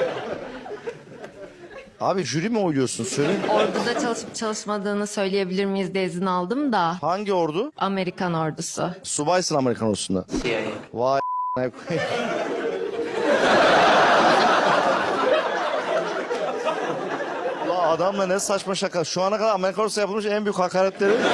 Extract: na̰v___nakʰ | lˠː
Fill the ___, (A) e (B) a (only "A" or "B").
B